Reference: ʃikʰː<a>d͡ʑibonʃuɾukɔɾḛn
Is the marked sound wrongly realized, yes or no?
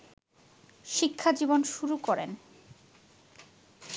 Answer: no